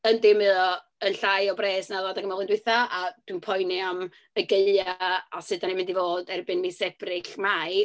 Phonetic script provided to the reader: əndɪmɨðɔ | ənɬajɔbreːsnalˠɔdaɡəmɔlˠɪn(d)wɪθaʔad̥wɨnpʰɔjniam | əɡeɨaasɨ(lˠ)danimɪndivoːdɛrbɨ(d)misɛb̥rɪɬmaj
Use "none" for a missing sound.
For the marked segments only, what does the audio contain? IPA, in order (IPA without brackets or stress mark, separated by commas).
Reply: d, none, n